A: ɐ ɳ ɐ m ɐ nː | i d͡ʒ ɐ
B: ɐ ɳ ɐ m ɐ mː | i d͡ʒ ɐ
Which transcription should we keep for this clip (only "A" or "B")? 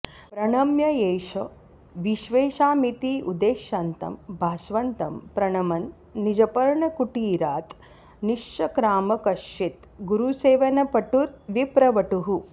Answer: A